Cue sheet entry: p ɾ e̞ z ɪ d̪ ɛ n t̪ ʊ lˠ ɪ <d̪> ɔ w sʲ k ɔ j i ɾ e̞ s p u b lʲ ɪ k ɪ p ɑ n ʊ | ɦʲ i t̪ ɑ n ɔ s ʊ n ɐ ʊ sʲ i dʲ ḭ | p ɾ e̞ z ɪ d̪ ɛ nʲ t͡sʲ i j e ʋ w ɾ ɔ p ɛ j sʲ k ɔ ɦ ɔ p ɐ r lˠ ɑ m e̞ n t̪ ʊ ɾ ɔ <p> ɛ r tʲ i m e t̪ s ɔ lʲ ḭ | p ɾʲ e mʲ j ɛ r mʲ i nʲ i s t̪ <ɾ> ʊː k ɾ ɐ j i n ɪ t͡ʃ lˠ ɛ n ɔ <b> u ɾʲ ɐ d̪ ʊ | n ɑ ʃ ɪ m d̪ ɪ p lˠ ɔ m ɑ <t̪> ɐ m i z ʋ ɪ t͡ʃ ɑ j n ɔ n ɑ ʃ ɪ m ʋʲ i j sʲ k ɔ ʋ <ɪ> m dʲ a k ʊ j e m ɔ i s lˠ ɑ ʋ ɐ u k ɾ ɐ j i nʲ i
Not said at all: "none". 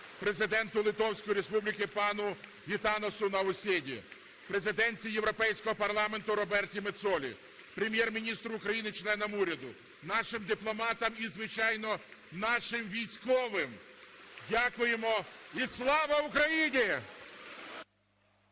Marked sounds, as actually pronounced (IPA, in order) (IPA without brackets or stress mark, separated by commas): t̪, b, ɾ, m, t̪, ɪ